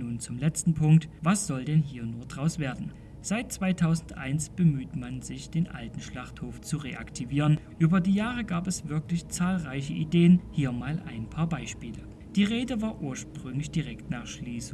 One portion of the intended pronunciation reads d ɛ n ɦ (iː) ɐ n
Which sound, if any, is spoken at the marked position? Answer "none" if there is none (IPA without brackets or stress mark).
iː